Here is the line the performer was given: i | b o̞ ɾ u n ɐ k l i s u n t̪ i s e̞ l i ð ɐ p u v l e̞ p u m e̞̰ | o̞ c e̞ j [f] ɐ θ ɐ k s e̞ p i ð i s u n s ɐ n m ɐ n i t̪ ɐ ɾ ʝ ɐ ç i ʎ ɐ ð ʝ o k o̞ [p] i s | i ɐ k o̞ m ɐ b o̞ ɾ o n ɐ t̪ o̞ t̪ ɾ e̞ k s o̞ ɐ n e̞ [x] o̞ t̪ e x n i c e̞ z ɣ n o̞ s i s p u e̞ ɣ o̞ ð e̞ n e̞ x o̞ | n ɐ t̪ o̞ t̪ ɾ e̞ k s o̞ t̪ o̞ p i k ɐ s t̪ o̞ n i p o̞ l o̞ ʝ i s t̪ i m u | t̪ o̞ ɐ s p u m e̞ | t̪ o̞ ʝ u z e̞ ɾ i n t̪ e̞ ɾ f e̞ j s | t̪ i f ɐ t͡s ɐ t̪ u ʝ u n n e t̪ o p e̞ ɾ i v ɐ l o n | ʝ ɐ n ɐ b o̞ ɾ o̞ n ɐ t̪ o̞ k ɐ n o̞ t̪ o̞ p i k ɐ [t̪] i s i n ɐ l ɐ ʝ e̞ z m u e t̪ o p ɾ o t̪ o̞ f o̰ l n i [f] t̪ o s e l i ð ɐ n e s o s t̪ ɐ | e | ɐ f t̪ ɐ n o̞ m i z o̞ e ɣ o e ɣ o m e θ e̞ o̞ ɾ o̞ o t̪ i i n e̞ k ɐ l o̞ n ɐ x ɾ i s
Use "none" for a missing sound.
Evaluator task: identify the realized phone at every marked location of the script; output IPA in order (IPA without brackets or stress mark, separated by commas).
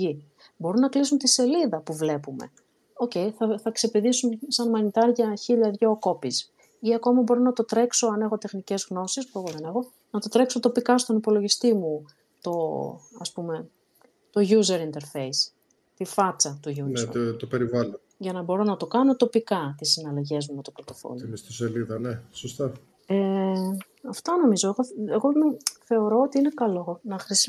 θ, p, x, t̪, s